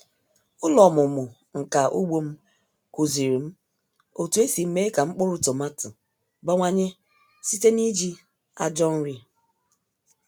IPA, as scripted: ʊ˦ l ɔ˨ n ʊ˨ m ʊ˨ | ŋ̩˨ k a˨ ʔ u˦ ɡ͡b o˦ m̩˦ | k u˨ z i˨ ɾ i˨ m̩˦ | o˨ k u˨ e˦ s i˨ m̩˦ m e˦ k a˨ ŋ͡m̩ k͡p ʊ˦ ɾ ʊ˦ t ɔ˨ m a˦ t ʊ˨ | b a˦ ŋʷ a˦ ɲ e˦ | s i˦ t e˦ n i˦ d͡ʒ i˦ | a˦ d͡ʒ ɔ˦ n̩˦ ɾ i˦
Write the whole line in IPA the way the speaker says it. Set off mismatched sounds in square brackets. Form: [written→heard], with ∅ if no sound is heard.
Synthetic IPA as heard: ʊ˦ l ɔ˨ [n→m] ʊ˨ m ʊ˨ | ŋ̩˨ k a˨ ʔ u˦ ɡ͡b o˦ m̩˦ | k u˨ z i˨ ɾ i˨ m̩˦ | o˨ [k→t] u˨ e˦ s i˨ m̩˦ m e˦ k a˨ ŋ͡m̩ k͡p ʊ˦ ɾ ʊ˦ t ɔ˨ m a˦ t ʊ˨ | b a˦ ŋʷ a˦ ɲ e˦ | s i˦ t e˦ n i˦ d͡ʒ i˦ | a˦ d͡ʒ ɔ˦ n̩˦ ɾ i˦